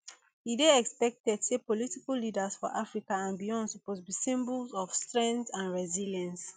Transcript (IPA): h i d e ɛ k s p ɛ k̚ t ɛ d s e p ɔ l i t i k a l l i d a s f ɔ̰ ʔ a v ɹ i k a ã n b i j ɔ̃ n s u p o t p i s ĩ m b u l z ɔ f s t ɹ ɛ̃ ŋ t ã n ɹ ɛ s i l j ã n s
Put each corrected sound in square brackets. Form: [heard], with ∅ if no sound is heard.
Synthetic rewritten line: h i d e ɛ k s p ɛ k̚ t ɛ d s e p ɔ l i t i k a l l i d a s f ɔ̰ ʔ a [f] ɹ i k a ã n b i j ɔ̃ n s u p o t [b] i s ĩ m b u l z ɔ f s t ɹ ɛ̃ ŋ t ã n ɹ ɛ [z] i l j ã n s